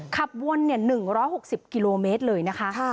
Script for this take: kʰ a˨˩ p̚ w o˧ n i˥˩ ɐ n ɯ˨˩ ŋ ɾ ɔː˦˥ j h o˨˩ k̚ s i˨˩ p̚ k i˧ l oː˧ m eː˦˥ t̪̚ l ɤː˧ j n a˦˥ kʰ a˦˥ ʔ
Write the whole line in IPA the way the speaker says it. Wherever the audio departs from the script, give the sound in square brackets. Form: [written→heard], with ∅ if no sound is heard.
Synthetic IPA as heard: kʰ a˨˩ p̚ w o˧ [n→nː] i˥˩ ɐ n ɯ˨˩ ŋ ɾ ɔː˦˥ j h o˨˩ k̚ s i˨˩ p̚ k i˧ l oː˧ m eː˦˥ t̪̚ l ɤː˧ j n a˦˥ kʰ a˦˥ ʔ